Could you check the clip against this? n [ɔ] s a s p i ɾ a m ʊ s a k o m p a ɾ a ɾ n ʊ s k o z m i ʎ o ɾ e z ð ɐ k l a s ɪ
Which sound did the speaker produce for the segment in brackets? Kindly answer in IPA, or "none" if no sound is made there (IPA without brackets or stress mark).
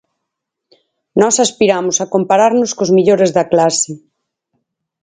ɔ